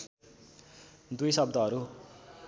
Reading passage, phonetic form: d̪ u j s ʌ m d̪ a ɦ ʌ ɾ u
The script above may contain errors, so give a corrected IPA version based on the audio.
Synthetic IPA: d̪ u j s ʌ b d̪ ʌ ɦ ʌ ɾ u